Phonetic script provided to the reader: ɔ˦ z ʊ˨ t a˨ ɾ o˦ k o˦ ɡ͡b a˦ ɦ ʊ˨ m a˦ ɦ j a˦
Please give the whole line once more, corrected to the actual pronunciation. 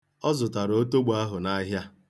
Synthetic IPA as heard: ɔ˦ z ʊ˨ t a˨ ɾ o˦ t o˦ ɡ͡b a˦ ɦ ʊ˨ n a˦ ɦ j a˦